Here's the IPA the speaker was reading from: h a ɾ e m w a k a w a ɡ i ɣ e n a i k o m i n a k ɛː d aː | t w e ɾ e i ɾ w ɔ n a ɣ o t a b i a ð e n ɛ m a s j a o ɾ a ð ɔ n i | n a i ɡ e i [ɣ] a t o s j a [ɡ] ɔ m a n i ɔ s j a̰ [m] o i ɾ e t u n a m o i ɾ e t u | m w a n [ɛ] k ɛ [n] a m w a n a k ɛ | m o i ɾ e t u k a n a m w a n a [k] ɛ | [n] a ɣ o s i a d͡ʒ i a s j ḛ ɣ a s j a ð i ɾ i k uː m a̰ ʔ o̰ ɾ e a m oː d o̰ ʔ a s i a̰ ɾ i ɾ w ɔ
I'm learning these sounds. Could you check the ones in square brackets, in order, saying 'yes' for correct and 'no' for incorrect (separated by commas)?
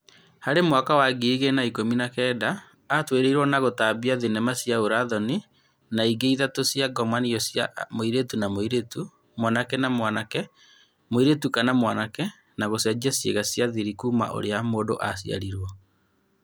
no, yes, yes, no, yes, yes, yes